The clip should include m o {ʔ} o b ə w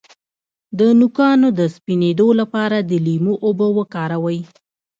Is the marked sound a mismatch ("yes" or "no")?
no